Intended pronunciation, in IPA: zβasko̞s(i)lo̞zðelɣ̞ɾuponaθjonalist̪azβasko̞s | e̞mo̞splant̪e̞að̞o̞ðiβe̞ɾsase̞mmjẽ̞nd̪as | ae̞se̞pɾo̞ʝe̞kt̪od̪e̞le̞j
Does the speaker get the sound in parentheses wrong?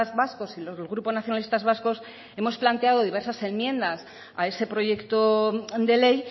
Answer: no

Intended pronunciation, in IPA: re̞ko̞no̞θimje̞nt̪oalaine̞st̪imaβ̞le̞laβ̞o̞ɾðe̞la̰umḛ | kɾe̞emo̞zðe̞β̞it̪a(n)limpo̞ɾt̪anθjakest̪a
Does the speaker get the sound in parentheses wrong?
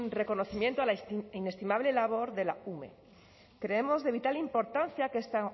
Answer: yes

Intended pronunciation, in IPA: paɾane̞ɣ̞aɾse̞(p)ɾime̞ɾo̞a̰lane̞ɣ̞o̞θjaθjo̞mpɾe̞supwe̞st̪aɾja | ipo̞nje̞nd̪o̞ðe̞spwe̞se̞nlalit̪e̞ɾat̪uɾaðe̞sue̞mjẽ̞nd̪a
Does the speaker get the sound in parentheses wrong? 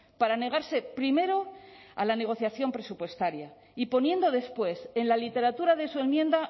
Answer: no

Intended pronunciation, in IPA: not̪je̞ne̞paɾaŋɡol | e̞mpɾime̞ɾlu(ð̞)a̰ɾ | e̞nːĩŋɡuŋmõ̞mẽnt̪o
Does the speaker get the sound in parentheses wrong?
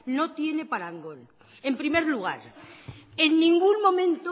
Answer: yes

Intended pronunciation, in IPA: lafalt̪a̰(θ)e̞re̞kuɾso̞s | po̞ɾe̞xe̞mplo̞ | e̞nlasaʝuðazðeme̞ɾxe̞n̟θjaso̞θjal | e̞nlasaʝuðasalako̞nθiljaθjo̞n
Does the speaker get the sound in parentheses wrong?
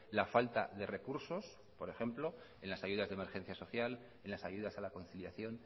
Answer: yes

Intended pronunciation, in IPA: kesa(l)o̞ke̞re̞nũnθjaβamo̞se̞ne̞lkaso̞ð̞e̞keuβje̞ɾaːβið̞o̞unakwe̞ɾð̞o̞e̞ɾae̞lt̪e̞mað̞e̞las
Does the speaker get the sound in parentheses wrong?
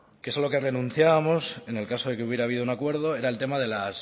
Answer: no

